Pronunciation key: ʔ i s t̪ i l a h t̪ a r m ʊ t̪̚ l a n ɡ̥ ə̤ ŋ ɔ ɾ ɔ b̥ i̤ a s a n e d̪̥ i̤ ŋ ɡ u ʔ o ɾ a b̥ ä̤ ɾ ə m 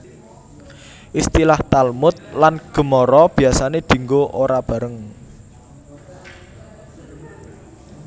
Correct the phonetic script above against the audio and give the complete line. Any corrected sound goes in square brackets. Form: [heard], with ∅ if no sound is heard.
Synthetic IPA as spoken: ʔ i s t̪ i l a h t̪ a [l] m ʊ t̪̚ l a n ɡ̥ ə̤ [m] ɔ ɾ ɔ b̥ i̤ a s a n e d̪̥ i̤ ŋ ɡ [o] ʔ o ɾ a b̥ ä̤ ɾ ə [ŋ]